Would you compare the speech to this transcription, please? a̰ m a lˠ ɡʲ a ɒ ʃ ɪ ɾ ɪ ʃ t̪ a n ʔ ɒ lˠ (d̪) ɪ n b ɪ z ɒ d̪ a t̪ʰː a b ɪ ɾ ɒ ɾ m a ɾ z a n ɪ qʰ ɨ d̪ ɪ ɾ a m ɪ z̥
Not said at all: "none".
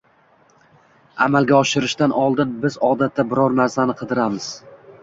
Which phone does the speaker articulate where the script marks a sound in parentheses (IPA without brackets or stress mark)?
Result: d̪